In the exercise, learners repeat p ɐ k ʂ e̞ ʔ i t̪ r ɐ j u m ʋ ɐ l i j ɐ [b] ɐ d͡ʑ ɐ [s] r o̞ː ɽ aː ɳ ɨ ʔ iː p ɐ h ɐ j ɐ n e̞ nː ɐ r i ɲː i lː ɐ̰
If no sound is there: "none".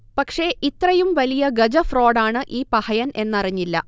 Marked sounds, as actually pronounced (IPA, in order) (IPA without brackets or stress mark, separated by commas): ɡ, f